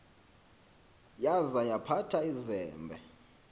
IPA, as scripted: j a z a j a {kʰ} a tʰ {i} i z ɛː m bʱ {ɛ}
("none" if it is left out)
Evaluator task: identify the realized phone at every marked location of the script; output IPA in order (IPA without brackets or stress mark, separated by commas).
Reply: pʰ, a, ɛ